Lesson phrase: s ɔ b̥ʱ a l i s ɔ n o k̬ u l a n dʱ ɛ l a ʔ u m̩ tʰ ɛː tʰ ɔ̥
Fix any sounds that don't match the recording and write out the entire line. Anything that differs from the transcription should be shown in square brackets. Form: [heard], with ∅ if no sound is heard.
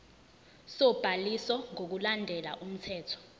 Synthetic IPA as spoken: s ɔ b̥ʱ a l i s ɔ [ŋ] o k̬ u l a n dʱ ɛ l a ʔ u m̩ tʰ ɛː tʰ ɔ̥